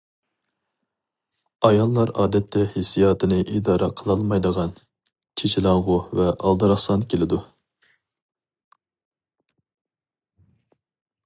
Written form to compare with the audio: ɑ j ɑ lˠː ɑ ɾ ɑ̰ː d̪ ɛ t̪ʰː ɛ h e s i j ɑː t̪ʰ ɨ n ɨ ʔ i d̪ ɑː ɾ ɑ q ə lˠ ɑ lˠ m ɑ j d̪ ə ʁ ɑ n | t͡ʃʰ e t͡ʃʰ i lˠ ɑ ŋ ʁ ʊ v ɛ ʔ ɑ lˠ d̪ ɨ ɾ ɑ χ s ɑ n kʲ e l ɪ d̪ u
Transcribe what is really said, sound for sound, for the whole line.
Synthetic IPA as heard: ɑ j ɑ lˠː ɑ ɾ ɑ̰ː d̪ ɛ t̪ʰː ɛ h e s i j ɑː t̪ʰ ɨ n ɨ ʔ i d̪ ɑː ɾ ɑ qʰ ə lˠ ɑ lˠ m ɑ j d̪ ə ʁ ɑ n | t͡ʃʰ e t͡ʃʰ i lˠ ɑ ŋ ʁ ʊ v ɛ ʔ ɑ lˠ d̪ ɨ ɾ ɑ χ s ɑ n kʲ e l ɪ d̪ u